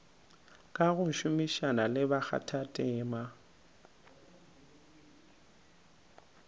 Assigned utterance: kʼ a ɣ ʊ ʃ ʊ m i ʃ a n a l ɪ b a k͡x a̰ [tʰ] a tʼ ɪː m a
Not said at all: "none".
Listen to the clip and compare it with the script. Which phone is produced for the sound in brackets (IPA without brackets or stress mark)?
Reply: tʰ